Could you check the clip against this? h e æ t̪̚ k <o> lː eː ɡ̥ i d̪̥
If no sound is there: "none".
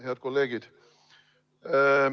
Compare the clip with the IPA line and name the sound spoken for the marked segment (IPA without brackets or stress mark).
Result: o